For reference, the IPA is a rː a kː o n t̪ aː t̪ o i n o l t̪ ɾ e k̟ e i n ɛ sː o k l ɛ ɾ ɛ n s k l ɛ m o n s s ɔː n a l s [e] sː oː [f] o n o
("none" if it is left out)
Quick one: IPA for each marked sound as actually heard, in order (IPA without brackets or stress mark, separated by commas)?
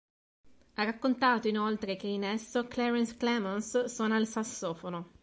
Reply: a, f